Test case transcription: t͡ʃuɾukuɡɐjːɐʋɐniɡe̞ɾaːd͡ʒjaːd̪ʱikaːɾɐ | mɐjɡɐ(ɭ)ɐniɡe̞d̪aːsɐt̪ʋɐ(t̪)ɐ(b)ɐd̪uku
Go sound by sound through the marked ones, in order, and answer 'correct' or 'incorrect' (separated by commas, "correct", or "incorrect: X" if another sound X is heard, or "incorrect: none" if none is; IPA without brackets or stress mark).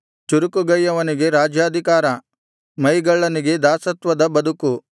incorrect: ɭː, incorrect: d̪, correct